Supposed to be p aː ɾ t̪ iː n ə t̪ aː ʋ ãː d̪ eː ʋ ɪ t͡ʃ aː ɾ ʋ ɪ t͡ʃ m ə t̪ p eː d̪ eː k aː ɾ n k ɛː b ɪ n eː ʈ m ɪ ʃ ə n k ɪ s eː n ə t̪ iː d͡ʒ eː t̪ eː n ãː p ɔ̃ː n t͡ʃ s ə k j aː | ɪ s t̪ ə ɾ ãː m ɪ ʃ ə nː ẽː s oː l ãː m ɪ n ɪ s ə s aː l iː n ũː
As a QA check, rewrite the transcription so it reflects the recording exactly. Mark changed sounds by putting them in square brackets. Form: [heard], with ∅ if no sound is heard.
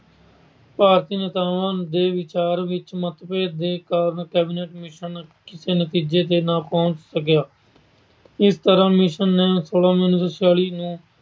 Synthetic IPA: p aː ɾ t̪ iː n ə t̪ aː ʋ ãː d̪ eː ʋ ɪ t͡ʃ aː ɾ ʋ ɪ t͡ʃ m ə t̪ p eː d̪ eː k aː ɾ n k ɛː b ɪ n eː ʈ m ɪ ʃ ə n k ɪ s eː n ə t̪ iː d͡ʒ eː t̪ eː n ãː p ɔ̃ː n t͡ʃ s ə k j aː | ɪ s t̪ ə ɾ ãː m ɪ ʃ ə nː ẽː s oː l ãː m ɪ n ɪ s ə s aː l iː n ũː

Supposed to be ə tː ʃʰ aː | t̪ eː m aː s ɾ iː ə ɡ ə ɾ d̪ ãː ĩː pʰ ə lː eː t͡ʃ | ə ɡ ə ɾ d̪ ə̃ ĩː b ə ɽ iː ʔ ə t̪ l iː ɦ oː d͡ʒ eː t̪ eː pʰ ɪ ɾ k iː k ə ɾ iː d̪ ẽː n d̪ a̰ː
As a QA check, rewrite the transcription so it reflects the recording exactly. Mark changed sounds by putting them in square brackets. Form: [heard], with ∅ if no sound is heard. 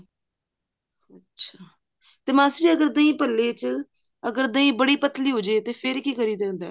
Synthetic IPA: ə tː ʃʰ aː | t̪ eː m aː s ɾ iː ə ɡ ə ɾ d̪ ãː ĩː [p] ə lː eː t͡ʃ | ə ɡ ə ɾ d̪ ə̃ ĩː b ə ɽ iː [p] ə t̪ l iː ɦ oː d͡ʒ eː t̪ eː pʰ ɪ ɾ k iː k ə ɾ iː d̪ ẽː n d̪ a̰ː

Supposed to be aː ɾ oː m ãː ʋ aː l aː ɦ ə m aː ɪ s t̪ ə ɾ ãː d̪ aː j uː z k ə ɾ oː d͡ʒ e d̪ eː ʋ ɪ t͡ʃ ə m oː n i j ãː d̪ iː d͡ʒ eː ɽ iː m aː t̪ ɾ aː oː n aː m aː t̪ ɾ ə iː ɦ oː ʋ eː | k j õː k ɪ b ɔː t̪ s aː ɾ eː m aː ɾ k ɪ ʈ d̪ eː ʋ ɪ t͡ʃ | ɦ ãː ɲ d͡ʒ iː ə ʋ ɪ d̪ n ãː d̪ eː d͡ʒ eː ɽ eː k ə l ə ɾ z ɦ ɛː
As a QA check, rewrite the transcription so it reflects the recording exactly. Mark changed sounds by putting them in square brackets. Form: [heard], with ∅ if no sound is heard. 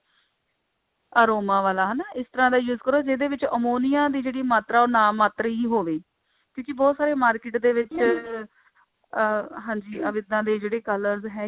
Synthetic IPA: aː ɾ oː m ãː ʋ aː l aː ɦ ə [n] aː ɪ s t̪ ə ɾ ãː d̪ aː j uː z k ə ɾ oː d͡ʒ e d̪ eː ʋ ɪ t͡ʃ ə m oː n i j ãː d̪ iː d͡ʒ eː ɽ iː m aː t̪ ɾ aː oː n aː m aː t̪ ɾ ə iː ɦ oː ʋ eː | k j õː k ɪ b ɔː t̪ s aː ɾ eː m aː ɾ k ɪ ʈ d̪ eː ʋ ɪ t͡ʃ | ɦ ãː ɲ d͡ʒ iː ə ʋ ɪ d̪ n ãː d̪ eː d͡ʒ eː ɽ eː k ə l ə ɾ z ɦ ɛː

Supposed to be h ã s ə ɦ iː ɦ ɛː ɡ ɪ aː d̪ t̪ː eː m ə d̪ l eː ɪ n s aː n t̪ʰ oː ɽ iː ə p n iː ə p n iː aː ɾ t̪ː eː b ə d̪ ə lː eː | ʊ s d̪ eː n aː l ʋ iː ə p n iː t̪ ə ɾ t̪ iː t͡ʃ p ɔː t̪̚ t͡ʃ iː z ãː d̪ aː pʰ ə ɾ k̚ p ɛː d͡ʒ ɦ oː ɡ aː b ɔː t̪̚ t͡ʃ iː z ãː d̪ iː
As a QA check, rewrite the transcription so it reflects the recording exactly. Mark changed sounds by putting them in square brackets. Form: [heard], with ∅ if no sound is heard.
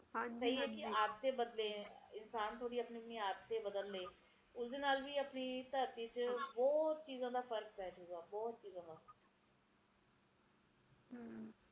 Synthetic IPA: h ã s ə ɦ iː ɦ ɛː [k] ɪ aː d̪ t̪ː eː [b] ə d̪ l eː ɪ n s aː n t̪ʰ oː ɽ iː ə p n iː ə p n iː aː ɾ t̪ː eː b ə d̪ ə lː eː | ʊ s d̪ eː n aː l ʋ iː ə p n iː t̪ ə ɾ t̪ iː t͡ʃ [b] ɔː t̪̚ t͡ʃ iː z ãː d̪ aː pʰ ə ɾ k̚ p ɛː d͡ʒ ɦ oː ɡ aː b ɔː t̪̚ t͡ʃ iː z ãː d̪ [aː]

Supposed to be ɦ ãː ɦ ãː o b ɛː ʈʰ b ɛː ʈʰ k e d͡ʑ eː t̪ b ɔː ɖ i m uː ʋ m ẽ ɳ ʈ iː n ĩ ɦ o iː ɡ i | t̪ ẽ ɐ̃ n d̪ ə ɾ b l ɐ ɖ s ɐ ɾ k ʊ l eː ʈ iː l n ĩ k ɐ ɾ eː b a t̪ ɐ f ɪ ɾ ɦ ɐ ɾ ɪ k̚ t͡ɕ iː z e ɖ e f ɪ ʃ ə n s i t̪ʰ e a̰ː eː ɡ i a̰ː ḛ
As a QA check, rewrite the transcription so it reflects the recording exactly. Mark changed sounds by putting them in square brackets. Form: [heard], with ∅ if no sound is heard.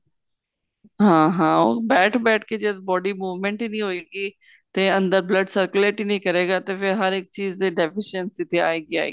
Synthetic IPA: ɦ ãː ɦ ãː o b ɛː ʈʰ b ɛː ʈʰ k e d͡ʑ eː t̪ b ɔː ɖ i m uː ʋ m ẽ ɳ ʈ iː n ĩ ɦ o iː ɡ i | t̪ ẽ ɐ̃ n d̪ ə ɾ b l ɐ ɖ s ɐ ɾ k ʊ l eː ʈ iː [∅] n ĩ k ɐ ɾ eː [ɡ] a t̪ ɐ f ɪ ɾ ɦ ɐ ɾ ɪ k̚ t͡ɕ iː z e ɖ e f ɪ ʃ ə n s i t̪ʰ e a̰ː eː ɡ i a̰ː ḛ

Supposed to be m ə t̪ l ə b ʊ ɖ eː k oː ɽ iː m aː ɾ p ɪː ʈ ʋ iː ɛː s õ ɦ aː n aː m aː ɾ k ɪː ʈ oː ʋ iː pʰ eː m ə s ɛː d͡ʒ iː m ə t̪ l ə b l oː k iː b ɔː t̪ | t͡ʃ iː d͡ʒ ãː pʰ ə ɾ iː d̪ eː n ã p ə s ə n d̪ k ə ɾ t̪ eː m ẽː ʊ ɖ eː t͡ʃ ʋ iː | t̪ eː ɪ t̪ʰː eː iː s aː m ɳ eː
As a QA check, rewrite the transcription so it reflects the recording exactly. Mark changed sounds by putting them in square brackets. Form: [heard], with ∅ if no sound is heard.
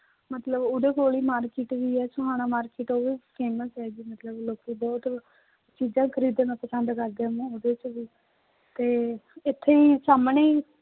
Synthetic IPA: m ə t̪ l ə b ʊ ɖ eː k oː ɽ iː m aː ɾ [k] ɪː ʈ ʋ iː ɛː s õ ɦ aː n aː m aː ɾ k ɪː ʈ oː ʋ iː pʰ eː m ə s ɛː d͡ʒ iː m ə t̪ l ə b l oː k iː b ɔː t̪ | t͡ʃ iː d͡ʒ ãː [kʰ] ə ɾ iː d̪ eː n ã p ə s ə n d̪ k ə ɾ [d̪] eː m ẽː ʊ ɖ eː t͡ʃ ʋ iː | t̪ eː ɪ t̪ʰː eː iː s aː m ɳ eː

